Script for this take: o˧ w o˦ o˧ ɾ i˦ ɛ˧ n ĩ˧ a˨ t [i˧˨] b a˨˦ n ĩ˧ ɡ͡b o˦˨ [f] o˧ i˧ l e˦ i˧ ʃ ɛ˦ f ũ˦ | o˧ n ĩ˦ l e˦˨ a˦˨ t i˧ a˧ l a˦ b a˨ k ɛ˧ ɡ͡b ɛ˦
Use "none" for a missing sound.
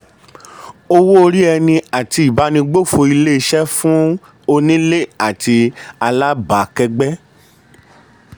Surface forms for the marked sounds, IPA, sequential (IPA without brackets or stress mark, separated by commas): i˧˨, f